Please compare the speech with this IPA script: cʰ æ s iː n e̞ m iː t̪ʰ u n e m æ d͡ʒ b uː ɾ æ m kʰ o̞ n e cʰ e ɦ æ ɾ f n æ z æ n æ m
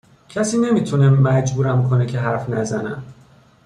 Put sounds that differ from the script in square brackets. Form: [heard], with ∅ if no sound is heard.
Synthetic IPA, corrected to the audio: cʰ æ s iː n e̞ m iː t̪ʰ u n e m æ d͡ʒ b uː ɾ æ m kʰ o̞ n e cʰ e ɦ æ ɾ f n æ z æ n æ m